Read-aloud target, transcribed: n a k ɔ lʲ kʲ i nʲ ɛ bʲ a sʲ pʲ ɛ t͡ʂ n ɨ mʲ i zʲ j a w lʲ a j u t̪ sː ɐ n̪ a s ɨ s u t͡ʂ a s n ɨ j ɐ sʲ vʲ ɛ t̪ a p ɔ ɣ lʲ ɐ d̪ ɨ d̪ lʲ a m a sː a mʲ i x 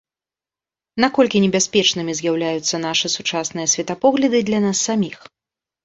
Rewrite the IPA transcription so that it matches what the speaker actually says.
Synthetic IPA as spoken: n a k ɔ lʲ kʲ i nʲ ɛ bʲ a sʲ pʲ ɛ t͡ʂ n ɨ mʲ i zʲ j a w lʲ a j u t̪ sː ɐ n̪ a ʂ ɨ s u t͡ʂ a s n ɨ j ɐ sʲ vʲ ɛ t̪ a p ɔ ɣ lʲ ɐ d̪ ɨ d̪ lʲ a n a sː a mʲ i x